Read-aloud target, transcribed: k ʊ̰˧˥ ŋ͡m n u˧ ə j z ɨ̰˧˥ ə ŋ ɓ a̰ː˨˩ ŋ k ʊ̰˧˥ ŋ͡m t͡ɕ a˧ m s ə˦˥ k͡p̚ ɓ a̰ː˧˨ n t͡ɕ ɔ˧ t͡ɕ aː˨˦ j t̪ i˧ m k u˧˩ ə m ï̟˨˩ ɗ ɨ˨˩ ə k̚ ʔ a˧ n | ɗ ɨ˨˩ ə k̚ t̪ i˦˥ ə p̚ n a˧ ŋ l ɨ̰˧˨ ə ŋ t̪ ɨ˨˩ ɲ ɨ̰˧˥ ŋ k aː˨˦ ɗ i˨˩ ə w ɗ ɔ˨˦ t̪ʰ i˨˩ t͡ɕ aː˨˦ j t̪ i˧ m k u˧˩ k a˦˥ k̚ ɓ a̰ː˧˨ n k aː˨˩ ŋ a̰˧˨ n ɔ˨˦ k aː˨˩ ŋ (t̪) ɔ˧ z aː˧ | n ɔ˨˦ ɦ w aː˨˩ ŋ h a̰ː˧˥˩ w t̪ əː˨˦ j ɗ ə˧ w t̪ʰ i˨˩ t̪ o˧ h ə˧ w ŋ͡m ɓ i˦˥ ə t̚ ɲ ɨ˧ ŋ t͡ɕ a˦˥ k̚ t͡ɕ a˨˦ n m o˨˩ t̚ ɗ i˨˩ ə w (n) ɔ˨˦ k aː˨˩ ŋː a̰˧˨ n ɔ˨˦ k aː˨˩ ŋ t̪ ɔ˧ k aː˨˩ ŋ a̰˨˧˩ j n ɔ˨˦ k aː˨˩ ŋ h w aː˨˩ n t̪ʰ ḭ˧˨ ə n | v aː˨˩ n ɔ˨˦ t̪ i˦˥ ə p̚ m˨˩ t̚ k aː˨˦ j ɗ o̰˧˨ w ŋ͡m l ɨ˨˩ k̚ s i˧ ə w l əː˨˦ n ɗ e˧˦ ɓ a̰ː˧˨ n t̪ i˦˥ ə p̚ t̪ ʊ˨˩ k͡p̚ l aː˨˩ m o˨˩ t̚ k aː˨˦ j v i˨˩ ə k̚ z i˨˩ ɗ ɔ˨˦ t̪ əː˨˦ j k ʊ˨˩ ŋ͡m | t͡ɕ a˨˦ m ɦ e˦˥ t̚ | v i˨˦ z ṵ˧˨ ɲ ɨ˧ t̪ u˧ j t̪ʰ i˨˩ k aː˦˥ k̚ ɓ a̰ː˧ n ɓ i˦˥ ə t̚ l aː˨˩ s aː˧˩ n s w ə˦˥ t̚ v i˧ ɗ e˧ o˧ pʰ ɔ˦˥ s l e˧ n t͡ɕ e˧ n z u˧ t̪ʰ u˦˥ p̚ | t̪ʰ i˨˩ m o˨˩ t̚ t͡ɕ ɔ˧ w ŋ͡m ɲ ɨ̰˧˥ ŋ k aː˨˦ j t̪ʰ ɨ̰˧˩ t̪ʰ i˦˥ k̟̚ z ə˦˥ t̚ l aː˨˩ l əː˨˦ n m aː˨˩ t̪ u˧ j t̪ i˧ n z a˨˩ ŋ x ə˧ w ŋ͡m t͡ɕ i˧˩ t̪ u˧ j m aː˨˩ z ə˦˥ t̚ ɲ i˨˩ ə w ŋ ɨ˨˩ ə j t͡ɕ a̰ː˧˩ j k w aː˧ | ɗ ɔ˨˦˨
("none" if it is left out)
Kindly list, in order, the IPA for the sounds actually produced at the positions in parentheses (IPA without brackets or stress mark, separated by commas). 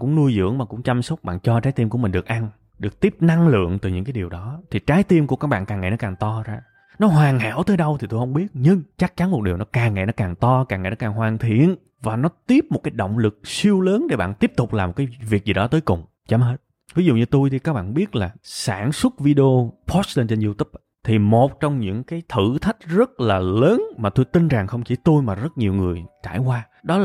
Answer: t̪, n